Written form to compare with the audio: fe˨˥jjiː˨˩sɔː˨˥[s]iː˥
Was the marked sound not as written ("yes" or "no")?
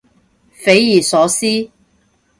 no